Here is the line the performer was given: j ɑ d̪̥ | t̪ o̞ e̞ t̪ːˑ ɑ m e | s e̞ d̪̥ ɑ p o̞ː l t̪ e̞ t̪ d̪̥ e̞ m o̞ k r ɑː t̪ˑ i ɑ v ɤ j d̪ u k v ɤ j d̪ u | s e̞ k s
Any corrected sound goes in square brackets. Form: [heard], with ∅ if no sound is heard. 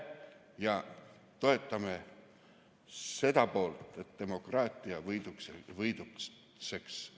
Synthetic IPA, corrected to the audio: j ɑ [∅] | t̪ o̞ e̞ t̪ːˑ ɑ m e | s e̞ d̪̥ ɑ p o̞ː l t̪ e̞ t̪ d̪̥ e̞ m o̞ k r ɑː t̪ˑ i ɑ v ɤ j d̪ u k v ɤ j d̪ u | s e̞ k s